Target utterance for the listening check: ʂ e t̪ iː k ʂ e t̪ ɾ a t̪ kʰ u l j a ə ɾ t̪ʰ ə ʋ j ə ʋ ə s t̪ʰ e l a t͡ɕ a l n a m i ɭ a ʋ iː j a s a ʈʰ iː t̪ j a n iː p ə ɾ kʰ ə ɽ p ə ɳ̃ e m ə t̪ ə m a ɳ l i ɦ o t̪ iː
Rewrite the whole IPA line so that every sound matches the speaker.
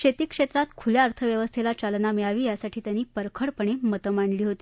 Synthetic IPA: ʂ e t̪ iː k ʂ e t̪ ɾ a t̪ kʰ u l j a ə ɾ t̪ʰ ə ʋ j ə ʋ ə s t̪ʰ e l a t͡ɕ a l n a m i ɭ a ʋ iː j a s a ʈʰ iː t̪ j a n iː p ə ɾ kʰ ə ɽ p ə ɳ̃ e m ə t̪ ə m a ɳ l iː ɦ o t̪ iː